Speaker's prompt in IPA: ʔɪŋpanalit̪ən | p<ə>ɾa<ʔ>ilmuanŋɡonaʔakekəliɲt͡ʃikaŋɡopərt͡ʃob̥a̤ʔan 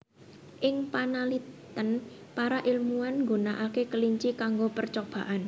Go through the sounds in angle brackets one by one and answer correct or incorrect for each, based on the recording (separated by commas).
incorrect, correct